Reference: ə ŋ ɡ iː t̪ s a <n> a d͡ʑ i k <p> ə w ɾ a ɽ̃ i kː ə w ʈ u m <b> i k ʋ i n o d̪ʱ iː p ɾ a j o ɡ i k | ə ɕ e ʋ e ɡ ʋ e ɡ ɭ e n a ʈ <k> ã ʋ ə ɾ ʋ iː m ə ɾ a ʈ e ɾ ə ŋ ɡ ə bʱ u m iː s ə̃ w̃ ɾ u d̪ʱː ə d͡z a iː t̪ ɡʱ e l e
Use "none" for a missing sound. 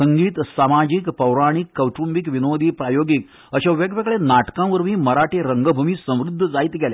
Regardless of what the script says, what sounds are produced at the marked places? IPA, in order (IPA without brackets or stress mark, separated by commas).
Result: m, p, b, k